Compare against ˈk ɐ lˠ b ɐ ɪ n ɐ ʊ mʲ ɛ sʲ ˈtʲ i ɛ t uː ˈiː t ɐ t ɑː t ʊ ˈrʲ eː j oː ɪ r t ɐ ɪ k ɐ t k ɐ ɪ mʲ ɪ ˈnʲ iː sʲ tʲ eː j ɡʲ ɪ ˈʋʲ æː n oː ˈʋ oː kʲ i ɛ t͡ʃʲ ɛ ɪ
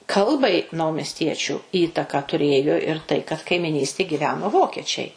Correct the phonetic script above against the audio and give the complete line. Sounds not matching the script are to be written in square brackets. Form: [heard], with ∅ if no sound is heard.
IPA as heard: ˈk ɐ lˠ b ɐ ɪ n ɐ ʊ mʲ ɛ sʲ ˈtʲ i ɛ [t͡ʃʲ] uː ˈiː t ɐ [k] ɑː t ʊ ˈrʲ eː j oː ɪ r t ɐ ɪ k ɐ t k ɐ ɪ mʲ ɪ ˈnʲ iː sʲ tʲ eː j ɡʲ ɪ ˈʋʲ æː n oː ˈʋ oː kʲ i ɛ t͡ʃʲ ɛ ɪ